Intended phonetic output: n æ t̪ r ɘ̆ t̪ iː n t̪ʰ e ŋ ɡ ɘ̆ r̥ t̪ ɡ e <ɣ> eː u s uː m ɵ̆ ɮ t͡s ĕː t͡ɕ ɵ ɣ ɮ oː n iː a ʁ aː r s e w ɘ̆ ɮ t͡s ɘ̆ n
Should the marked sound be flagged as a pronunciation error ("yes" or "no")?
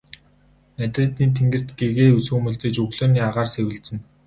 no